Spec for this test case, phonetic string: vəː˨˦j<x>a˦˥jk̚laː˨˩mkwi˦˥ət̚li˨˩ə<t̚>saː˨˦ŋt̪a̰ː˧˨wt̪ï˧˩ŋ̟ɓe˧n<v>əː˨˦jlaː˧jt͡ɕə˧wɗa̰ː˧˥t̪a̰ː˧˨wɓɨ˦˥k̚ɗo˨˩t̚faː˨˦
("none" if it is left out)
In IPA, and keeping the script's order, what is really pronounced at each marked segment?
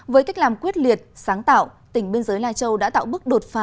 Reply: k, t̚, z

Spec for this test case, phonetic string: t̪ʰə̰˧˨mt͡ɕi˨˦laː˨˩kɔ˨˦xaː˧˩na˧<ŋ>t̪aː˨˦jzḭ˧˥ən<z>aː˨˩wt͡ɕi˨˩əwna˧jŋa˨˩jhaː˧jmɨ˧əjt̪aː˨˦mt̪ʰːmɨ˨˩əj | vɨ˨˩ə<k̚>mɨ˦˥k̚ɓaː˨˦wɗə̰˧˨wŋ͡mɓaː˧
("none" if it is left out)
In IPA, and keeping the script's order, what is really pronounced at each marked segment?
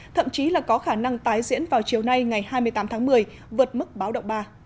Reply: ŋ, v, t̚

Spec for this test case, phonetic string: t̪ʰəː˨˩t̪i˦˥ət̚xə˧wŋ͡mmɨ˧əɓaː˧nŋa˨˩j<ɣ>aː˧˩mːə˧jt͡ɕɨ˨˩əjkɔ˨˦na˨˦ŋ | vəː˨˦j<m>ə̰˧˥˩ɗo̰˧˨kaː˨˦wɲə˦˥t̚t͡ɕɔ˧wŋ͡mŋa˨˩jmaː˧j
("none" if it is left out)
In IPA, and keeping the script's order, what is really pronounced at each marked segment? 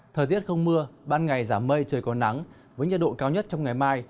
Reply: z, ɲ

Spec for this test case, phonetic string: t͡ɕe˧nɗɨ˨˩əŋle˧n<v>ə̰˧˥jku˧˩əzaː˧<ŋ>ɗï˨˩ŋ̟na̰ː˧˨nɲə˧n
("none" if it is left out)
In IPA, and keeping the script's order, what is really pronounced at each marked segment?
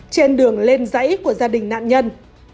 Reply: z, none

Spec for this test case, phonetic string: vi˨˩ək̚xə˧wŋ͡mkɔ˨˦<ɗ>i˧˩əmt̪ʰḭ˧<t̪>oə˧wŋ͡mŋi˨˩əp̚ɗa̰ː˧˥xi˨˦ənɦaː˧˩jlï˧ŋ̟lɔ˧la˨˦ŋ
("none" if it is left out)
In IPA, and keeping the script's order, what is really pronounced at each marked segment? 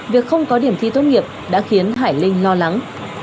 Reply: ɗ, t̪

